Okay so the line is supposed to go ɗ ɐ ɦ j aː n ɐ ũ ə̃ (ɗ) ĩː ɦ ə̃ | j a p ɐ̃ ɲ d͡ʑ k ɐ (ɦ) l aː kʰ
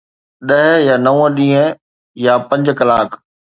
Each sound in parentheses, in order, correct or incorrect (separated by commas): correct, incorrect